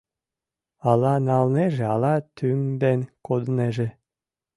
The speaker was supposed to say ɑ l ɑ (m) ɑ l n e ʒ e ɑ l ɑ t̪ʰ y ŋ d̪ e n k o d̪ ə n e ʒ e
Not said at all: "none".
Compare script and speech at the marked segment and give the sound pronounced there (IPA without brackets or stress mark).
n